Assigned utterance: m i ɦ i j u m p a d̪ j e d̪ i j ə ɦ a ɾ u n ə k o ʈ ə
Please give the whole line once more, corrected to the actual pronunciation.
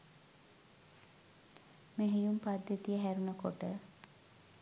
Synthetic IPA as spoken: m e ɦ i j u m p a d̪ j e t̪ i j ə ɦ æ ɾ u n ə k o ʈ ə